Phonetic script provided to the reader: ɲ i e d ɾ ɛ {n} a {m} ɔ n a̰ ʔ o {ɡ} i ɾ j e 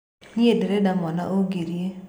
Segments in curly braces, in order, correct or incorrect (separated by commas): incorrect, correct, correct